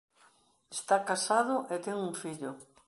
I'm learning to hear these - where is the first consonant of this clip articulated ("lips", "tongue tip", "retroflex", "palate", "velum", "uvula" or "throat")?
tongue tip